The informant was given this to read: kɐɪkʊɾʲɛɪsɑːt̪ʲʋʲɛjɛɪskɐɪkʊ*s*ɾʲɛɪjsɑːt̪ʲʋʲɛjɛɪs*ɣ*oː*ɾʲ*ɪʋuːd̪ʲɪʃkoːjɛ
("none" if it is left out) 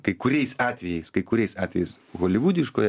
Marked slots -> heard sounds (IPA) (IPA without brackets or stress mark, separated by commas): none, ɣ, lʲ